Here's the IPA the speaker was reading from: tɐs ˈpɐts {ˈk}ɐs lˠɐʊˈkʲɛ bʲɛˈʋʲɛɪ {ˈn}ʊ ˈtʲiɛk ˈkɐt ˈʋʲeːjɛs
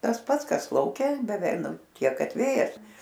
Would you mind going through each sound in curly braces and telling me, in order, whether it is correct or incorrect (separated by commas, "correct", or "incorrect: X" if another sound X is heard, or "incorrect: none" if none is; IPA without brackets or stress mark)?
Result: correct, correct